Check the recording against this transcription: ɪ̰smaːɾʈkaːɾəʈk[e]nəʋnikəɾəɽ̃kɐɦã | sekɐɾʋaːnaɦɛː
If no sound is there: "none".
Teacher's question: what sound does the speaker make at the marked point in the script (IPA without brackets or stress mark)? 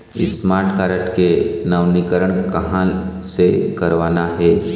e